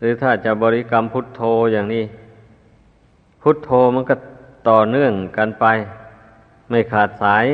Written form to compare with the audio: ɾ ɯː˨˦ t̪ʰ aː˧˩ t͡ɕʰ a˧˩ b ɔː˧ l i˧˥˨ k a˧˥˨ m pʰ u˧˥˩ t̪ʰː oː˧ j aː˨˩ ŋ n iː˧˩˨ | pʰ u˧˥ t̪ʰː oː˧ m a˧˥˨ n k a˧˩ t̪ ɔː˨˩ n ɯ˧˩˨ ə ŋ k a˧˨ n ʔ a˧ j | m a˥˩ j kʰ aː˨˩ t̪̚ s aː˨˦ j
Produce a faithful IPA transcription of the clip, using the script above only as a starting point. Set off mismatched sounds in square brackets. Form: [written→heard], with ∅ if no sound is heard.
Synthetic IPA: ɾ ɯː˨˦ t̪ʰ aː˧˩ [t͡ɕʰ→t͡ɕ] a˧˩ b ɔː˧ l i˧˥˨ k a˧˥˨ m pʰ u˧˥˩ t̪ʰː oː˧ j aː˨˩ ŋ n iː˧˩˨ | pʰ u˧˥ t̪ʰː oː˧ m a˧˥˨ n k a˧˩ t̪ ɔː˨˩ n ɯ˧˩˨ ə ŋ k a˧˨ n [ʔ→p] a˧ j | m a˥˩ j kʰ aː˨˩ t̪̚ s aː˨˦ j